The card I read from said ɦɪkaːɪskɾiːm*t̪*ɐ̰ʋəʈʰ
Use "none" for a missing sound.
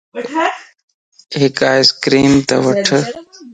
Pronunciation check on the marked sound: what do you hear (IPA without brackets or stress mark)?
t̪